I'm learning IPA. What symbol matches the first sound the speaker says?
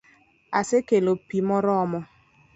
a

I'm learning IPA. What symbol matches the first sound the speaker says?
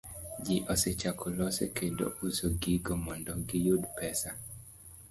d͡ʒ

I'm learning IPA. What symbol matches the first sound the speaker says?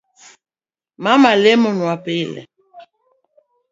m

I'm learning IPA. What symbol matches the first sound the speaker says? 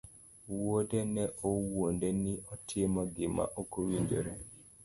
w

